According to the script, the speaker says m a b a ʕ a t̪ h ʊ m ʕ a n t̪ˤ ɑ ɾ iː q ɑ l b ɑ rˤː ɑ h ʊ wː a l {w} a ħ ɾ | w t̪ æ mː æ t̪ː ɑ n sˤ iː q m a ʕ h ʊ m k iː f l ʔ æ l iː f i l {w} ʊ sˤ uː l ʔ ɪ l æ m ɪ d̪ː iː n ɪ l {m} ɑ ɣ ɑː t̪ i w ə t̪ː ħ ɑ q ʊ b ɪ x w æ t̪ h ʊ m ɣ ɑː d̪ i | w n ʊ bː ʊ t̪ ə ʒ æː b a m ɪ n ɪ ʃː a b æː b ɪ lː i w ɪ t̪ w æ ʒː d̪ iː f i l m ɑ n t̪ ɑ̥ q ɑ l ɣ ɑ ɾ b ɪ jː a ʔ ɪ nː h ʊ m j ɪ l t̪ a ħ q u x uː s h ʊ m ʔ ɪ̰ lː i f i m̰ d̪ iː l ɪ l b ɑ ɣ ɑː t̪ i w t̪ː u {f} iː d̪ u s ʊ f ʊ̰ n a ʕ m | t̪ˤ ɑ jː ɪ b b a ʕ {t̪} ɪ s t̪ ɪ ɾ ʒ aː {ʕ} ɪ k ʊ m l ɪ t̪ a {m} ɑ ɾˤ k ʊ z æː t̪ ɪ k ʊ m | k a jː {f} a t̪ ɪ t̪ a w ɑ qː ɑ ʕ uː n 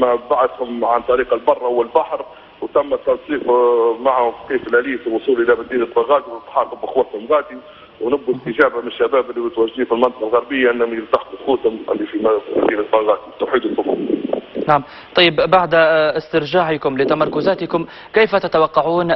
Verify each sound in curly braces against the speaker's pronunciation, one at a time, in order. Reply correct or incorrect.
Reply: incorrect, correct, incorrect, incorrect, incorrect, correct, correct, correct

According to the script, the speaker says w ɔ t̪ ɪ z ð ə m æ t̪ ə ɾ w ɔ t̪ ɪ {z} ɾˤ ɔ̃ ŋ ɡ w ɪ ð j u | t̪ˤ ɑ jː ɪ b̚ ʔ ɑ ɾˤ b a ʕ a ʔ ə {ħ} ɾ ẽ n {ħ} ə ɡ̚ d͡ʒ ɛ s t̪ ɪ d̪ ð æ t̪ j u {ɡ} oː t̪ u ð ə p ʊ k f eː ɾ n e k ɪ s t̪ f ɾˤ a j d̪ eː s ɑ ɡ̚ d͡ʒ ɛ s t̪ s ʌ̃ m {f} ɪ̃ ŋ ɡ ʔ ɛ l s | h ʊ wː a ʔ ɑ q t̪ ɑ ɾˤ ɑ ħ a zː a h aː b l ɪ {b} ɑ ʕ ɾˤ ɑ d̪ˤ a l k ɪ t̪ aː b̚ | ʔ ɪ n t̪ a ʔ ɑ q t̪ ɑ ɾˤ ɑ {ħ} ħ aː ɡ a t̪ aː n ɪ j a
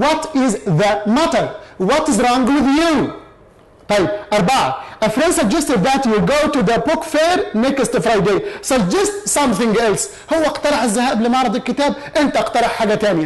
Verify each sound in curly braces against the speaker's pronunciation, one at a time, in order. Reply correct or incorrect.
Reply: correct, incorrect, incorrect, correct, incorrect, incorrect, correct

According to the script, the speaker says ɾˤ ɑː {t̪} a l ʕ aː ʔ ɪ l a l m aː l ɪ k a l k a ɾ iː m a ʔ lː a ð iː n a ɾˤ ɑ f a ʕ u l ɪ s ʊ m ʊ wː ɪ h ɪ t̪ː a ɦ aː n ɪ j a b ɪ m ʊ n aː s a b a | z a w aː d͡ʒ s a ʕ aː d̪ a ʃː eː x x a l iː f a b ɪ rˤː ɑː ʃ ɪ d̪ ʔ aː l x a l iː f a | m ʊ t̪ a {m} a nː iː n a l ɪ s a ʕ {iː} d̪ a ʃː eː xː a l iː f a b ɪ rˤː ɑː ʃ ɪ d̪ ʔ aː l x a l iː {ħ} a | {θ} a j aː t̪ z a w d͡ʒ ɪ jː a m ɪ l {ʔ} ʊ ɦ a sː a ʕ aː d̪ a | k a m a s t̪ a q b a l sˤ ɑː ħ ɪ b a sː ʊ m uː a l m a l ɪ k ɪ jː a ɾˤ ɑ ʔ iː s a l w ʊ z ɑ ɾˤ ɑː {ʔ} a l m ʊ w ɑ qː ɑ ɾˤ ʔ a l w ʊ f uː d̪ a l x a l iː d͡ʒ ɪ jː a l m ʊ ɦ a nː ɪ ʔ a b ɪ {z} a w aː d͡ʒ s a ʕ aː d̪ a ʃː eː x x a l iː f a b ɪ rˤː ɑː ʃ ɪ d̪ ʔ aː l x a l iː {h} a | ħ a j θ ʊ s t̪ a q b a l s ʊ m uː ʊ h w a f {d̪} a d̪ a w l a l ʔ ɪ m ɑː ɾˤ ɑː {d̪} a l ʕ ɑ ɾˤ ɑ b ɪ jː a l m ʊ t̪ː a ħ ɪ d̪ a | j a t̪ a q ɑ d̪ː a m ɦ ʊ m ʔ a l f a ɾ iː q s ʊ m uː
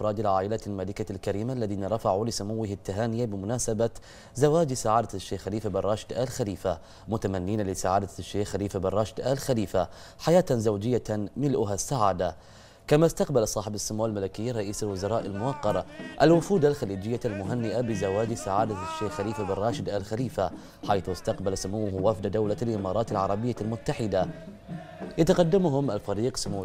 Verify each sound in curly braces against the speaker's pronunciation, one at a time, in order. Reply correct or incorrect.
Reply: incorrect, correct, incorrect, incorrect, incorrect, correct, correct, correct, incorrect, correct, incorrect

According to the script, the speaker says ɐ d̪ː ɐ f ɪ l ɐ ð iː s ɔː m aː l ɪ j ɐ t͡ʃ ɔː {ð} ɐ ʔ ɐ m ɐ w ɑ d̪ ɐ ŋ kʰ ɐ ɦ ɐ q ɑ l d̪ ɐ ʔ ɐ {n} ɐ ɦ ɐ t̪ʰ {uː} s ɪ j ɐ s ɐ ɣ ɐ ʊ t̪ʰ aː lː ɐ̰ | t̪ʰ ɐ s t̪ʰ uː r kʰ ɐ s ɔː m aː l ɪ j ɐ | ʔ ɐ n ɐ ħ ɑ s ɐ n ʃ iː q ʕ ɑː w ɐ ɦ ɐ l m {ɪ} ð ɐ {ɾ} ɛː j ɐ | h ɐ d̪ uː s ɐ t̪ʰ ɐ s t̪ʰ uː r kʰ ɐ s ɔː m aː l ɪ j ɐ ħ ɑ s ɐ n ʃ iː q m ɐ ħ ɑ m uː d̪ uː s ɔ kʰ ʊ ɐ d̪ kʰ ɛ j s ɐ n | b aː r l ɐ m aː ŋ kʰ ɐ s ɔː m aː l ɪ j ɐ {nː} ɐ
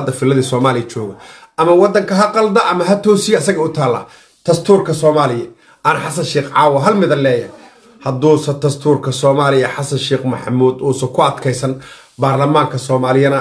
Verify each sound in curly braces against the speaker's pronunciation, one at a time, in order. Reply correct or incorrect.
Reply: incorrect, incorrect, incorrect, correct, incorrect, incorrect

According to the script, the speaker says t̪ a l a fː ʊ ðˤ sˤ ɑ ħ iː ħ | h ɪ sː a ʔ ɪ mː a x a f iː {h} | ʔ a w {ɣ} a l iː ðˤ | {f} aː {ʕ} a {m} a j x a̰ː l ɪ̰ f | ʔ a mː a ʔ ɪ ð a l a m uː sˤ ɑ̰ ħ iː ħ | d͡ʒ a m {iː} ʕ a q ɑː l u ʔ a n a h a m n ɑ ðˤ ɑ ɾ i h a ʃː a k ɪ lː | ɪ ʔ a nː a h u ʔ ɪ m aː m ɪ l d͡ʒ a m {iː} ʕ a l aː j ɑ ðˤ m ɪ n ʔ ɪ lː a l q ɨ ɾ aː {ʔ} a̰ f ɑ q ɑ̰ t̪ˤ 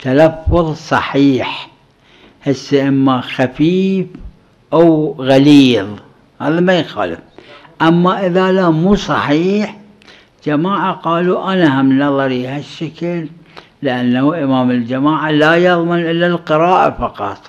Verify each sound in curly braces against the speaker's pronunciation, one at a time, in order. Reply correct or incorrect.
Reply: incorrect, correct, incorrect, incorrect, correct, incorrect, incorrect, correct

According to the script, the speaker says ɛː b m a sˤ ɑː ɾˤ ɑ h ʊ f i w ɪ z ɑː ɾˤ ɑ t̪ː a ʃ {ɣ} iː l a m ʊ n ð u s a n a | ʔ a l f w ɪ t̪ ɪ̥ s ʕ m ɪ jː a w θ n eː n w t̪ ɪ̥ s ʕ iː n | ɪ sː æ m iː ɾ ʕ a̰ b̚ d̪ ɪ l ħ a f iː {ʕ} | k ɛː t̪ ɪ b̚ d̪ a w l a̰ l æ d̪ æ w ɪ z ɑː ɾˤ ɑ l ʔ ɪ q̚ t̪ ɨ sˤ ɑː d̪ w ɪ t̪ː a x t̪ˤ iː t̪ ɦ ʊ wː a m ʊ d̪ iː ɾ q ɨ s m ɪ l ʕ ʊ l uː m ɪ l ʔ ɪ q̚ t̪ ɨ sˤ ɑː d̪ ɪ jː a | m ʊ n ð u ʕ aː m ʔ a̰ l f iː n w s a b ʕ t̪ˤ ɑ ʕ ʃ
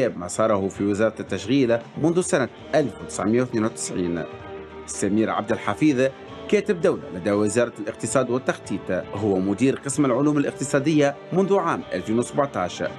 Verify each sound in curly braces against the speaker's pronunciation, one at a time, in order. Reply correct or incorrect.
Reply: correct, incorrect

